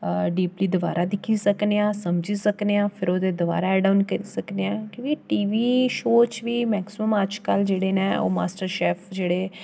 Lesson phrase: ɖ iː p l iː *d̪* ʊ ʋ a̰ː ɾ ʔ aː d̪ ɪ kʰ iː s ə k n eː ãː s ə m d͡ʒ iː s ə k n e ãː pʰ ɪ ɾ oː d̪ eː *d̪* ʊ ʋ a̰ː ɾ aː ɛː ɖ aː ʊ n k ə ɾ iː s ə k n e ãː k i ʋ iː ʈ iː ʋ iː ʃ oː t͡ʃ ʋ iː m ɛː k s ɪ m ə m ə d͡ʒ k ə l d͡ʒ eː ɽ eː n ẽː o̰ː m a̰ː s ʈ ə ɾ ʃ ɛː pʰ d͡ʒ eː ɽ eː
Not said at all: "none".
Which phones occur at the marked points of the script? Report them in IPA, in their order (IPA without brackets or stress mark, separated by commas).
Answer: d̪, d̪